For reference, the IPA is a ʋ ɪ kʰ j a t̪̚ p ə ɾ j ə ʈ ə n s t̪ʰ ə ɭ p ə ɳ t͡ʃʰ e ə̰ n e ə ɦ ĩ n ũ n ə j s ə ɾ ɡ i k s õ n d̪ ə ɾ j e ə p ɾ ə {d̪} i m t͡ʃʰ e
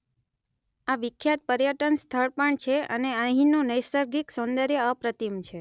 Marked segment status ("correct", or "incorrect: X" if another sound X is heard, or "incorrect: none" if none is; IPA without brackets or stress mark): incorrect: t̪